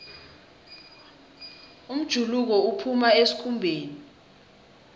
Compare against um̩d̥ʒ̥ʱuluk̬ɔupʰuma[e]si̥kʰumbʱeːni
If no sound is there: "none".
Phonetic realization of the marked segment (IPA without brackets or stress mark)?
e